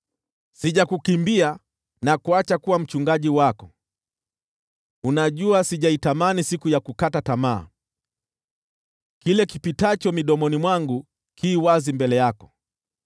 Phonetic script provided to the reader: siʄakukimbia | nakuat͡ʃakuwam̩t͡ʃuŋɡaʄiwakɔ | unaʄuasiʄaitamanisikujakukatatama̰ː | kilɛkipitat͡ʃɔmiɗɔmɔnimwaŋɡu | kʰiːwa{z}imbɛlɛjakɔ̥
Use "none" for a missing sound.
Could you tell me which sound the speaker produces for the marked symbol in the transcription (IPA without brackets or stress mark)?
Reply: z